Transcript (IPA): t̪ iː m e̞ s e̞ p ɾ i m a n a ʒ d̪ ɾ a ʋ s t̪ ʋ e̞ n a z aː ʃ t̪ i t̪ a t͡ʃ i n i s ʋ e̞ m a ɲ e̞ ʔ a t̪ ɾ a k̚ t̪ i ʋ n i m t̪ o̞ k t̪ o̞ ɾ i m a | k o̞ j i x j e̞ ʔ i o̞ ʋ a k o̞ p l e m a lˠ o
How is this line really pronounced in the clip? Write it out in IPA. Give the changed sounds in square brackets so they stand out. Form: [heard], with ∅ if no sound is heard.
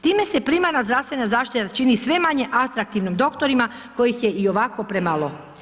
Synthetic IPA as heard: t̪ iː m e̞ s e̞ p ɾ i m a n a [z] d̪ ɾ a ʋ s t̪ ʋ e̞ n a z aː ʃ t̪ i t̪ a t͡ʃ i n i s ʋ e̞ m a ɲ e̞ ʔ a t̪ ɾ a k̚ t̪ i ʋ n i m [d̪] o̞ k t̪ o̞ ɾ i m a | k o̞ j i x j e̞ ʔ i o̞ ʋ a k o̞ p [ɾ] e m a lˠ o